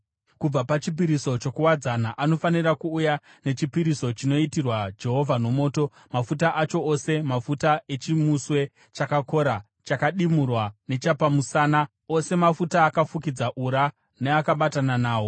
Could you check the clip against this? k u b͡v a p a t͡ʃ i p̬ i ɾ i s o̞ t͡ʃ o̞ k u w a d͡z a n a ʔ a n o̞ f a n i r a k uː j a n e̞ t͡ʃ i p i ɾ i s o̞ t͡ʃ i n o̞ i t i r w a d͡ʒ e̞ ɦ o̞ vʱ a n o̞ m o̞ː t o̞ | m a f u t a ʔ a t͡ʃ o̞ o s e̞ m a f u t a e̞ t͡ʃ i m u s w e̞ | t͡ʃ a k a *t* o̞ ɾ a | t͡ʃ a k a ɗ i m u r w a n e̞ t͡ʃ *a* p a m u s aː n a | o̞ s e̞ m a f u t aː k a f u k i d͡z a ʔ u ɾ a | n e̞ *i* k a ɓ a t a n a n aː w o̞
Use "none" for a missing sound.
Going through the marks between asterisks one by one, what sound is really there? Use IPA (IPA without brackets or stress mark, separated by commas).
k, a, a